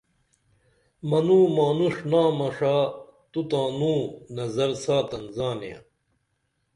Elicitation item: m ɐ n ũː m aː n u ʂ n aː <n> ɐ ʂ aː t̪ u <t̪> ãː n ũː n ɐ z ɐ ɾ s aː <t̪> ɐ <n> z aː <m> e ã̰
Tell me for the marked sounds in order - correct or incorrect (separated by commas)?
incorrect, correct, correct, correct, incorrect